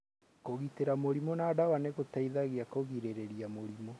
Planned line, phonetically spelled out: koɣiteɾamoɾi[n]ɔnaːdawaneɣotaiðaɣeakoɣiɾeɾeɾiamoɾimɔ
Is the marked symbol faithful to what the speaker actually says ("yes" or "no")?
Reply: no